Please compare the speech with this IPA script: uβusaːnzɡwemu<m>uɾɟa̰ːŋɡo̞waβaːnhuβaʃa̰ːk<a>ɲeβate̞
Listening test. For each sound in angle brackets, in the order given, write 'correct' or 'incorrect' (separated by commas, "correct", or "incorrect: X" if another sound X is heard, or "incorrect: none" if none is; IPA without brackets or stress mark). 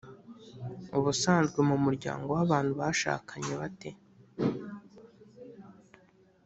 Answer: correct, correct